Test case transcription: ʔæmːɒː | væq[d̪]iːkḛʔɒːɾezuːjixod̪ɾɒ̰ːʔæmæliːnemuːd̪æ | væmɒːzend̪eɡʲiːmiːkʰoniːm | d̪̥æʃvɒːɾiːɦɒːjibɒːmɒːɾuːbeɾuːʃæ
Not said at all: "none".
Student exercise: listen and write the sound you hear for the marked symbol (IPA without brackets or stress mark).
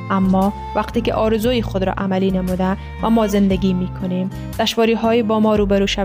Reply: t̪